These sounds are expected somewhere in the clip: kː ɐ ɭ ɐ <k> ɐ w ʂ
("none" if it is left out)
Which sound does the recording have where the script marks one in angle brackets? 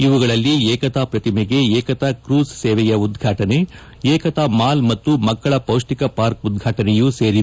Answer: p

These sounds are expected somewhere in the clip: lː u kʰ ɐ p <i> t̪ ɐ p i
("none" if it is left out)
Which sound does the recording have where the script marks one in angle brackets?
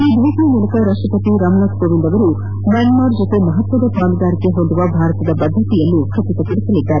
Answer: i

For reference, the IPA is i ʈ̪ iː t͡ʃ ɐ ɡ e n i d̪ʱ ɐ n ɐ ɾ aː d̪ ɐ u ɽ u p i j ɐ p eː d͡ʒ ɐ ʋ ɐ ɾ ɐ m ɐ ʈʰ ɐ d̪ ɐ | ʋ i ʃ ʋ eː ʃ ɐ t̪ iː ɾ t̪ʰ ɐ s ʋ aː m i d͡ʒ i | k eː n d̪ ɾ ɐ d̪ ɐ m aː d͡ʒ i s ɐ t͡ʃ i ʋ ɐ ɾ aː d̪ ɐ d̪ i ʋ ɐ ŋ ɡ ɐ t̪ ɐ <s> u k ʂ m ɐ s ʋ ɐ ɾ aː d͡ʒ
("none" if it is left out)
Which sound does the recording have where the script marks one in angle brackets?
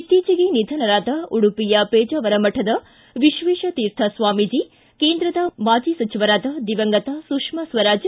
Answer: s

